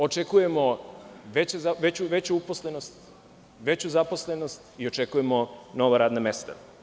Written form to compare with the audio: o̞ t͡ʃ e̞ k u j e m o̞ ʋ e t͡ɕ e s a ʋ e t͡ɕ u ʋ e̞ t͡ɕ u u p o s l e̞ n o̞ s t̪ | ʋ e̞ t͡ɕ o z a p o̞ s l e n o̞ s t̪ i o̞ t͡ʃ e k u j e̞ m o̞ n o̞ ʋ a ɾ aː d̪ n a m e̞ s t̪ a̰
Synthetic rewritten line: o̞ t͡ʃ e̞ k u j e m o̞ ʋ e t͡ɕ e z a ʋ e t͡ɕ u ʋ e̞ t͡ɕ u u p o s l e̞ n o̞ s t̪ | ʋ e̞ t͡ɕ u z a p o̞ s l e n o̞ s t̪ i o̞ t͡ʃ e k u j e̞ m o̞ n o̞ ʋ a ɾ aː d̪ n a m e̞ s t̪ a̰